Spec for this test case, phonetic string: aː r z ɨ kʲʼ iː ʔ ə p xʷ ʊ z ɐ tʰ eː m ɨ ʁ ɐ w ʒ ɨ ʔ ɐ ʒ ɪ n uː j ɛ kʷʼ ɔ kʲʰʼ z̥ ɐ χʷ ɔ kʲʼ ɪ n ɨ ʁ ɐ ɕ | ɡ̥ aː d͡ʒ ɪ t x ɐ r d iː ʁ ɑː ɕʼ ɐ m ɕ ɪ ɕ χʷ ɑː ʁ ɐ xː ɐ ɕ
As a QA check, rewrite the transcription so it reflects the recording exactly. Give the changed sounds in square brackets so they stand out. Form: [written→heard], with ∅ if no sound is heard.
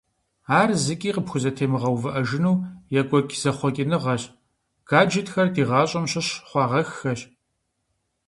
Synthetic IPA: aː r z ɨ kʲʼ iː [ʔ→q] ə p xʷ ʊ z ɐ tʰ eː m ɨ ʁ ɐ w [ʒ→v] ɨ ʔ ɐ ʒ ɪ n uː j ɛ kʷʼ ɔ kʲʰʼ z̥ ɐ χʷ ɔ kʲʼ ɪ n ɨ ʁ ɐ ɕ | ɡ̥ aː d͡ʒ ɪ t x ɐ r d iː ʁ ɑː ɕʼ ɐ m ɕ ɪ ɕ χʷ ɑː ʁ ɐ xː ɐ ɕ